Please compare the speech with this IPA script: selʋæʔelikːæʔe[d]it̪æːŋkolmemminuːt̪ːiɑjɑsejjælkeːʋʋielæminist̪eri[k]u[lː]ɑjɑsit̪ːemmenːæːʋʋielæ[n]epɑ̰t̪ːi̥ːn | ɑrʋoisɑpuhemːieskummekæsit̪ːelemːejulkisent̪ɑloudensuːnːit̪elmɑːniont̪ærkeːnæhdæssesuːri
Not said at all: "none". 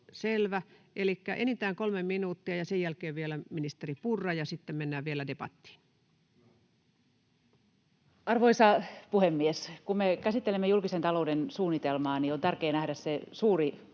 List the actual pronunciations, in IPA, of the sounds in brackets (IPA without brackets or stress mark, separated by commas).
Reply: n, p, rː, d